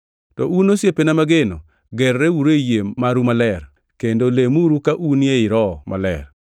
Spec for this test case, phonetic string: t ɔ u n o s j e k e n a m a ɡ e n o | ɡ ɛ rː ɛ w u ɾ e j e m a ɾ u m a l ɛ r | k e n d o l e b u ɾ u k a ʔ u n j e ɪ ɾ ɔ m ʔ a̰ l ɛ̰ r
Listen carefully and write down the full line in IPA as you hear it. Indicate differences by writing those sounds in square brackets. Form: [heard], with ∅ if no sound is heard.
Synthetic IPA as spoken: t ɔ u n o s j e [p] e n a m a ɡ e n o | ɡ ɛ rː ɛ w u ɾ e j e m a ɾ u m a l ɛ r | k e n d o l e [m] u ɾ u k a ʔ u n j e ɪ ɾ ɔ m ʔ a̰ l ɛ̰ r